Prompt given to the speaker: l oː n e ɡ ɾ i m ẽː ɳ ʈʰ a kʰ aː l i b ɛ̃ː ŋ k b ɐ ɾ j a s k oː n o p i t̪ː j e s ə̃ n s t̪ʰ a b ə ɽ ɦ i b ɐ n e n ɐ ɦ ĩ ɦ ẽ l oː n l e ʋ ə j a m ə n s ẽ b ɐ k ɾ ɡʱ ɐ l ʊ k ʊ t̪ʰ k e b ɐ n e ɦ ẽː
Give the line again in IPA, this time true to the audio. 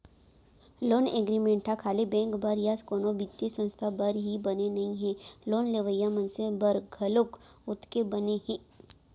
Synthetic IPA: l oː n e ɡ ɾ i m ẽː ɳ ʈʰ a kʰ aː l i b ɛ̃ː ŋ k b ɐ ɾ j a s k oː n o b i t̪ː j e s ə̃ n s t̪ʰ a b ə ɾ ɦ i b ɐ n e n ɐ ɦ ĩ ɦ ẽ l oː n l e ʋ ə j a m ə n s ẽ b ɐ ɾ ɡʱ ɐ l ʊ k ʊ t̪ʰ k e b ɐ n e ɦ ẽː

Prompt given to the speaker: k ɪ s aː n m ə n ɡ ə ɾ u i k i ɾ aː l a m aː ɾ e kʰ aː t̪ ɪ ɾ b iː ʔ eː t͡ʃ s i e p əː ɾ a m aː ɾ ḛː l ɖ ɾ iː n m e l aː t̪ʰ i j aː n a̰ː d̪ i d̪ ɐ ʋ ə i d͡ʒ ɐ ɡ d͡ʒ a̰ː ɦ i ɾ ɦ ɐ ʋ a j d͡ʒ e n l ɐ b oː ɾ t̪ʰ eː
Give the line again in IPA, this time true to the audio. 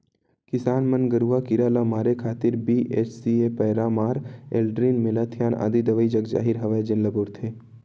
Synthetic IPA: k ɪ s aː n m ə n ɡ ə ɾ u a k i ɾ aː l a m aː ɾ e kʰ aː t̪ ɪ ɾ b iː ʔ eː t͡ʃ s i e p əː ɾ a m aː ɾ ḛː l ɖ ɾ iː n m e l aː t̪ʰ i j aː n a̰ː d̪ i d̪ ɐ ʋ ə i d͡ʒ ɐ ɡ d͡ʒ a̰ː ɦ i ɾ ɦ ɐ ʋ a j d͡ʒ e n l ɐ b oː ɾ t̪ʰ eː

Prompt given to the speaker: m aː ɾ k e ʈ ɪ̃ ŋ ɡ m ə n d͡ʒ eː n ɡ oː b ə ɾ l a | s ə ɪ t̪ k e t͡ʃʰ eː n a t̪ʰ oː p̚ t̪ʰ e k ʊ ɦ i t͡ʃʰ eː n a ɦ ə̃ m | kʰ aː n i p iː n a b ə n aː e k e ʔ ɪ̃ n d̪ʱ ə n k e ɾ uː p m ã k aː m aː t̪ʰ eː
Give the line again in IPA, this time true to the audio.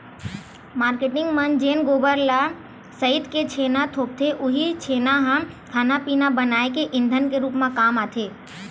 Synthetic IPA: m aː ɾ k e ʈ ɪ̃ ŋ ɡ m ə n d͡ʒ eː n ɡ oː b ə ɾ l a | s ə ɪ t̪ k e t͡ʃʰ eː n a t̪ʰ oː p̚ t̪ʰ e ʔ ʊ ɦ i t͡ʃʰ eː n a ɦ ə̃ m | kʰ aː n a p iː n a b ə n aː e k e ʔ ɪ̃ n d̪ʱ ə n k e ɾ uː p m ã k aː m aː t̪ʰ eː

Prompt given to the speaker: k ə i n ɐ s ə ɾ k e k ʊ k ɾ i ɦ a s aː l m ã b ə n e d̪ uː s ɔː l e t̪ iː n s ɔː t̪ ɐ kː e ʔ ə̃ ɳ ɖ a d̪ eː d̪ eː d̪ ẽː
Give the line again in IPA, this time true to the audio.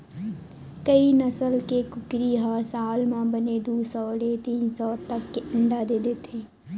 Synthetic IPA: k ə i n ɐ s ə l k e k ʊ k ɾ i ɦ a s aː l m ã b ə n e d̪ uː s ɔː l e t̪ iː n s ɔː t̪ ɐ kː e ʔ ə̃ ɳ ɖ a d̪ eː d̪ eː t̪ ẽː

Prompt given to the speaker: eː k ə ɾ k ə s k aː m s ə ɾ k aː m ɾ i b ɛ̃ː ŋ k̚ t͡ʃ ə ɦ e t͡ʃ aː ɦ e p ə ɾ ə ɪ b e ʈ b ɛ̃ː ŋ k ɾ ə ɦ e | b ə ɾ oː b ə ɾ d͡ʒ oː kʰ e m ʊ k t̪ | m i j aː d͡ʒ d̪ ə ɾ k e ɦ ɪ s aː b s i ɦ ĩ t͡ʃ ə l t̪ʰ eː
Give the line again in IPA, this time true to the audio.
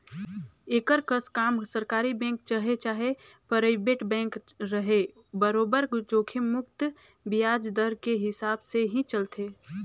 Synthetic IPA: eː k ə ɾ k ə s k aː m s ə ɾ k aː ɾ i b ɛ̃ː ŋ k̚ t͡ʃ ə ɦ e t͡ʃ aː ɦ e p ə ɾ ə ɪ b e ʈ b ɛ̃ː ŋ k ɾ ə ɦ e | b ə ɾ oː b ə ɾ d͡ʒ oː kʰ e m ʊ k t̪ | b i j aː d͡ʒ d̪ ə ɾ k e ɦ ɪ s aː b s e ɦ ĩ t͡ʃ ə l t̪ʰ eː

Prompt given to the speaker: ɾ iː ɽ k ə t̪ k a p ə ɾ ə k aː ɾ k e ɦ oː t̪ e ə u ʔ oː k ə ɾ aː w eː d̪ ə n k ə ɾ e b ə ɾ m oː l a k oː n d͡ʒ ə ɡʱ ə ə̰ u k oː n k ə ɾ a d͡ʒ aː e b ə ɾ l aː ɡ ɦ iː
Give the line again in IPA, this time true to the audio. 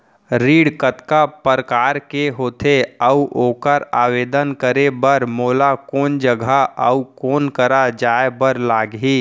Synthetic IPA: ɾ iː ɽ k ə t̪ k a p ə ɾ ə k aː ɾ k e ɦ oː t̪ e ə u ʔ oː k ə ɾ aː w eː d̪ ə n k ə ɾ e b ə ɾ m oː l a k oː n d͡ʒ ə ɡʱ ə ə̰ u k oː n k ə ɾ a d͡ʒ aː e b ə ɾ l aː ɡ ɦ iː

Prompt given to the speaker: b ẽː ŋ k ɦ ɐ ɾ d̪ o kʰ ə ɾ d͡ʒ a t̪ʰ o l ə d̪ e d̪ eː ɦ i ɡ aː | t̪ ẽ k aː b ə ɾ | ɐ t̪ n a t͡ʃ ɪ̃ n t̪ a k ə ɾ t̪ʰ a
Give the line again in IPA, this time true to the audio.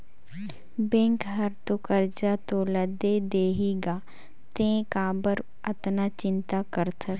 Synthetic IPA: b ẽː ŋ k ɦ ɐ ɾ t̪ o k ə ɾ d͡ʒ a t̪ o l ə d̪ e d̪ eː ɦ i ɡ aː | t̪ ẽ k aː b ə ɾ | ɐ t̪ n a t͡ʃ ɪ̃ n t̪ a k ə ɾ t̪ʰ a

